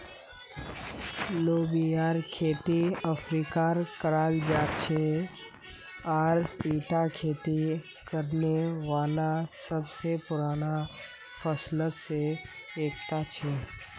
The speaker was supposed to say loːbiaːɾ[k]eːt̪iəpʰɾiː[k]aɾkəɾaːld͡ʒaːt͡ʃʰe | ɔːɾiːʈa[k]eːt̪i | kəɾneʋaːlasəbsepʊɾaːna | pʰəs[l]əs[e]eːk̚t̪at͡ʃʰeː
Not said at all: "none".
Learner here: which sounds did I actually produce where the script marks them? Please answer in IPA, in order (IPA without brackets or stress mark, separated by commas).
kʰ, k, kʰ, l, e